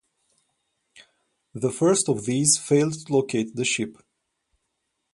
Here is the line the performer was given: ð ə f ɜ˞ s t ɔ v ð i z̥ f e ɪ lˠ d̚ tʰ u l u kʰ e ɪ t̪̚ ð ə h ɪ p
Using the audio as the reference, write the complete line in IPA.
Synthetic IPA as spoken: ð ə f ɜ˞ s t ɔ v ð i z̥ f e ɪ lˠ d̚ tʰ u l o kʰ e ɪ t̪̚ ð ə ʃ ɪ p